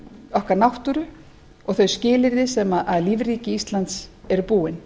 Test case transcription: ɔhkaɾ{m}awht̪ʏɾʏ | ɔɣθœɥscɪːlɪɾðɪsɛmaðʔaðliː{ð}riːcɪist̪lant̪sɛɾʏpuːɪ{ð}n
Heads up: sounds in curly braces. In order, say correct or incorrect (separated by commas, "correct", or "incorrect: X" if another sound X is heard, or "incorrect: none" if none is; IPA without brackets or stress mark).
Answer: incorrect: n, incorrect: v, incorrect: none